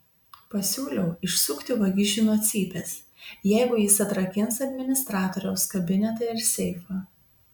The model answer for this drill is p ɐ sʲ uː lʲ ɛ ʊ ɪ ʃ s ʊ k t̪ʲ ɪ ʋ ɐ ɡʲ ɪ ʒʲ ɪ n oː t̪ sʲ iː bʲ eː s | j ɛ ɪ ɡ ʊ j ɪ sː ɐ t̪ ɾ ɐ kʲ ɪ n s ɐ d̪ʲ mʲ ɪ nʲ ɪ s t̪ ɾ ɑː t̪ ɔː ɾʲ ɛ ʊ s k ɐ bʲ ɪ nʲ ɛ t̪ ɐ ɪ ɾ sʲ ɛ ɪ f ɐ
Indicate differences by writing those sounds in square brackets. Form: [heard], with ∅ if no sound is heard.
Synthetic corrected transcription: p ɐ sʲ uː lʲ ɛ ʊ ɪ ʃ s ʊ k t̪ʲ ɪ ʋ ɐ ɡʲ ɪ ʒʲ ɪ n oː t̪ sʲ iː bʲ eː s | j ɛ ɪ ɡ ʊ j ɪ [s] ɐ t̪ ɾ ɐ kʲ ɪ n s ɐ d̪ʲ mʲ ɪ nʲ ɪ s t̪ ɾ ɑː t̪ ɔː ɾʲ ɛ ʊ s k ɐ bʲ ɪ nʲ ɛ t̪ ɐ ɪ ɾ sʲ ɛ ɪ f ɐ